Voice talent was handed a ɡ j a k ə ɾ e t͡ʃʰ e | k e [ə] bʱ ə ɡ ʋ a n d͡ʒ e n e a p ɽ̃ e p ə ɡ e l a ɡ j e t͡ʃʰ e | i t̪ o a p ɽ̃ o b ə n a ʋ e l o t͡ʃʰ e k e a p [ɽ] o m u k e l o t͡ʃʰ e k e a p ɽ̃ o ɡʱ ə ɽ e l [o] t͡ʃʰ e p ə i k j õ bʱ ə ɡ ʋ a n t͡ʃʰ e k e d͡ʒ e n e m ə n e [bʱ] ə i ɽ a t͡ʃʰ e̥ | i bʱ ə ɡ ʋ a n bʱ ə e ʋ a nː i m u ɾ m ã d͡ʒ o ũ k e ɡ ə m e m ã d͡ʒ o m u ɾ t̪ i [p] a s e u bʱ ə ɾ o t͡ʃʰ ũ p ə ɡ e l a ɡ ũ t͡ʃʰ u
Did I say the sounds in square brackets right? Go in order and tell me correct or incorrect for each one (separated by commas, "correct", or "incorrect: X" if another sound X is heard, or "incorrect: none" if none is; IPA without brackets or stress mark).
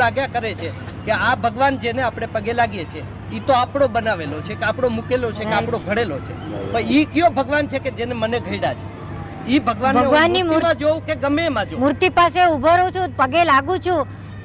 incorrect: a, correct, correct, incorrect: ɡʱ, correct